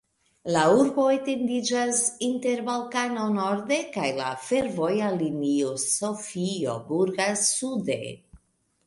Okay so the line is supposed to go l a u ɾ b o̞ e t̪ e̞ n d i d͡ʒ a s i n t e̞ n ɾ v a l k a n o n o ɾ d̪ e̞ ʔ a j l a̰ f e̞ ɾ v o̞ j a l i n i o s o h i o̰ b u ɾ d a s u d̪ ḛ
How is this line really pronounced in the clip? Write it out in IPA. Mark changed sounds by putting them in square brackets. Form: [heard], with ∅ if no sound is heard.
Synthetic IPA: l a u ɾ b o̞ e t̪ e̞ n d i d͡ʒ a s i n t e̞ [∅] ɾ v a l k a n o n o ɾ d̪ e̞ [k] a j l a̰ f e̞ ɾ v o̞ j a l i n i o s o [f] i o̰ b u ɾ [ɡ] a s u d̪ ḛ

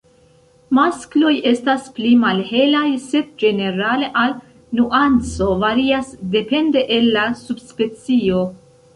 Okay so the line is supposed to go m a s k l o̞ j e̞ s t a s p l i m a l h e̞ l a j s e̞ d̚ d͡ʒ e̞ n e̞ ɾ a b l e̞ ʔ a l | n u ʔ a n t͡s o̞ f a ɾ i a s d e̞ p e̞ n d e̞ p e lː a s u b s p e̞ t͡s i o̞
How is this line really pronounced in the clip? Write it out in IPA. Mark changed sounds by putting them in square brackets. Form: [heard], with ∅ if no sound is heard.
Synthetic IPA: m a s k l o̞ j e̞ s t a s p l i m a l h e̞ l a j s e̞ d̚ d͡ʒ e̞ n e̞ ɾ a [∅] l e̞ ʔ a l | n u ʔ a n t͡s o̞ [v] a ɾ i a s d e̞ p e̞ n d e̞ [ʔ] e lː a s u b s p e̞ t͡s i o̞

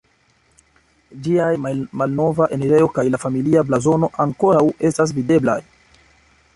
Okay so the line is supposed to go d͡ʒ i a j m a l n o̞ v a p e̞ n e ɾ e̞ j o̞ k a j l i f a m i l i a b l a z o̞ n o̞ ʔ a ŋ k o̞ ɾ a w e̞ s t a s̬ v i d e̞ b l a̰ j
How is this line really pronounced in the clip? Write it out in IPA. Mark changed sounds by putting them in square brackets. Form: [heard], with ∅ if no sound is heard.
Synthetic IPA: d͡ʒ i a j m a l n o̞ v a [ʔ] e̞ n e ɾ e̞ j o̞ k a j l [a] f a m i l i a b l a z o̞ n o̞ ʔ a ŋ k o̞ ɾ a w e̞ s t a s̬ v i d e̞ b l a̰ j

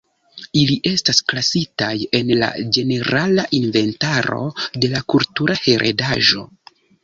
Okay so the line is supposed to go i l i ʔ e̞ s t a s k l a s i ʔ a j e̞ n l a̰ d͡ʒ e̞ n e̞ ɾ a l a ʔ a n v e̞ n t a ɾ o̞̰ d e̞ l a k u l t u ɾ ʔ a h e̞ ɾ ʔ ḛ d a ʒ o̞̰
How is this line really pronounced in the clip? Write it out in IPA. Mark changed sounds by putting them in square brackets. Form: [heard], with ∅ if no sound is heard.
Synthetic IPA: i l i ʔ e̞ s t a s k l a s i [t] a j e̞ n l a̰ d͡ʒ e̞ n e̞ ɾ a l a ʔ [i] n v e̞ n t a ɾ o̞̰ d e̞ l a k u l t u ɾ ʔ a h e̞ ɾ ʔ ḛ d a ʒ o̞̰

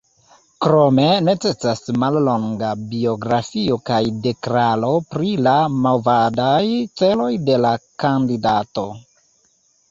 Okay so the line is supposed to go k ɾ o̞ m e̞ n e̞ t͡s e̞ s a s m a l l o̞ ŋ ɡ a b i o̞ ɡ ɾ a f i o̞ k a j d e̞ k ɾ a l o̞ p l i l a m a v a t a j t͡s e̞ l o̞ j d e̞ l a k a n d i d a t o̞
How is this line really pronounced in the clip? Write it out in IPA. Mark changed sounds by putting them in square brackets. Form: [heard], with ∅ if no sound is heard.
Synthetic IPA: k ɾ o̞ m e̞ n e̞ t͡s e̞ s a s m a l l o̞ ŋ ɡ a b i o̞ ɡ ɾ a f i o̞ k a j d e̞ k ɾ a l o̞ p [ɾ] i l a m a v a [d] a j t͡s e̞ l o̞ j d e̞ l a k a n d i d a t o̞

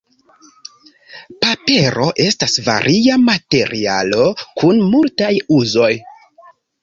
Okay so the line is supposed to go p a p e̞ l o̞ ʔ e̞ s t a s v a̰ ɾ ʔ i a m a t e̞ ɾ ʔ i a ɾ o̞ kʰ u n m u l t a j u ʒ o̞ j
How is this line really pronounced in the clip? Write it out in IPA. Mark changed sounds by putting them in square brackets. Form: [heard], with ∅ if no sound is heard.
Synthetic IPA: p a p e̞ [ɾ] o̞ ʔ e̞ s t a s v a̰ ɾ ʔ i a m a t e̞ ɾ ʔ i a [l] o̞ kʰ u n m u l t a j u [z] o̞ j

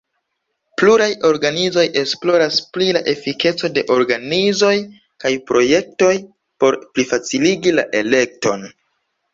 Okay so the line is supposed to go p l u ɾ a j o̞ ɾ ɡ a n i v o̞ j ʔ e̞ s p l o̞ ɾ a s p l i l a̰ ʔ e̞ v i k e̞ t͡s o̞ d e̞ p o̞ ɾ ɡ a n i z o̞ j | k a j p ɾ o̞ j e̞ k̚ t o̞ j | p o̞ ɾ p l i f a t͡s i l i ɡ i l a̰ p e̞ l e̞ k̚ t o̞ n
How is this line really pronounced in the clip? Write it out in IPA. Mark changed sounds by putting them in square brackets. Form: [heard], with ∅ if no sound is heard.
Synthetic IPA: p l u ɾ a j o̞ ɾ ɡ a n i [z] o̞ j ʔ e̞ s p l o̞ ɾ a s p l i l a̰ ʔ e̞ [f] i k e̞ t͡s o̞ d e̞ [ʔ] o̞ ɾ ɡ a n i z o̞ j | k a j p ɾ o̞ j e̞ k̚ t o̞ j | p o̞ ɾ p l i f a t͡s i l i ɡ i l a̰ [ʔ] e̞ l e̞ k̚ t o̞ n

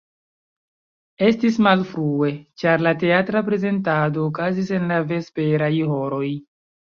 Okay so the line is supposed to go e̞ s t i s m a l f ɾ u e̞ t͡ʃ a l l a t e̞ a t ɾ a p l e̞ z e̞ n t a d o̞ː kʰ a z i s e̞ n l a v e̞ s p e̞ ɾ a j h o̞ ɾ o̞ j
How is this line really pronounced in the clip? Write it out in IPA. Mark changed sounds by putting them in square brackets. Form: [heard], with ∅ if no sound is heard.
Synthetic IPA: e̞ s t i s m a l f ɾ u e̞ t͡ʃ a [ɾ] l a t e̞ a t ɾ a p [ɾ] e̞ z e̞ n t a d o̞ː [k] a z i s e̞ n l a v e̞ s p e̞ ɾ a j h o̞ ɾ o̞ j

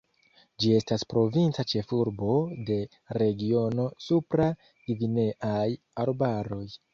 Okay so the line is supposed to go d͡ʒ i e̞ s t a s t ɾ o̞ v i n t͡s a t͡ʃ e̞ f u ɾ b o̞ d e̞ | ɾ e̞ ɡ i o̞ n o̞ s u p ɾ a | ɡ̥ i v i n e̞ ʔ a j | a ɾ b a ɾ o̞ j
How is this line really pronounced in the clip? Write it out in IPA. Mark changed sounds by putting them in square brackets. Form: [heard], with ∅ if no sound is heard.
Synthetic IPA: d͡ʒ i e̞ s t a s [p] ɾ o̞ v i n t͡s a t͡ʃ e̞ f u ɾ b o̞ d e̞ | ɾ e̞ ɡ i o̞ n o̞ s u p ɾ a | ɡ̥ i v i n e̞ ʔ a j | a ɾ b a ɾ o̞ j

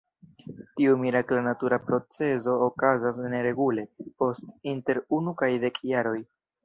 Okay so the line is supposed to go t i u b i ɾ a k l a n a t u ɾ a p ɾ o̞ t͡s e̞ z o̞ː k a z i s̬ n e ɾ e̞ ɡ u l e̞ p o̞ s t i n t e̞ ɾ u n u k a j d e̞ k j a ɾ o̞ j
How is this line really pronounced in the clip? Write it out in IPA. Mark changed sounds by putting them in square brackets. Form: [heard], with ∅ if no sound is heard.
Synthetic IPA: t i u [m] i ɾ a k l a n a t u ɾ a p ɾ o̞ t͡s e̞ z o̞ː k a z [a] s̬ n e ɾ e̞ ɡ u l e̞ p o̞ s t i n t e̞ ɾ u n u k a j d e̞ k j a ɾ o̞ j

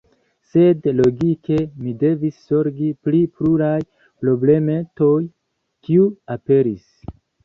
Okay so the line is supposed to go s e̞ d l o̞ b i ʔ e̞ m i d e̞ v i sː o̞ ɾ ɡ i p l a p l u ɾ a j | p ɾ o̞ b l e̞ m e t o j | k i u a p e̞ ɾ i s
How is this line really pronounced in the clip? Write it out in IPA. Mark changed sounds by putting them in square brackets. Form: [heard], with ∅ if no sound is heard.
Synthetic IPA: s e̞ d l o̞ [ɡ] i [k] e̞ m i d e̞ v i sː o̞ ɾ ɡ i p l [i] p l u ɾ a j | p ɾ o̞ b l e̞ m e t o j | k i u a p e̞ ɾ i s

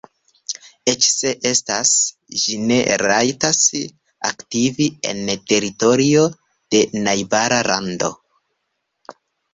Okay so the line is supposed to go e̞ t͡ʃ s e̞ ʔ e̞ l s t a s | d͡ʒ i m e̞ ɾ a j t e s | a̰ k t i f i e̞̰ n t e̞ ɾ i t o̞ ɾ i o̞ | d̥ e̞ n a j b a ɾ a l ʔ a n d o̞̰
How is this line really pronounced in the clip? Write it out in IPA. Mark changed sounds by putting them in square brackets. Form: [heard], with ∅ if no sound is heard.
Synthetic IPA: e̞ t͡ʃ s e̞ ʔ e̞ [∅] s t a s | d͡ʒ i [n] e̞ ɾ a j t [a] s | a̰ k t i [v] i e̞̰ n t e̞ ɾ i t o̞ ɾ i o̞ | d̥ e̞ n a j b a ɾ a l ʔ a n d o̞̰

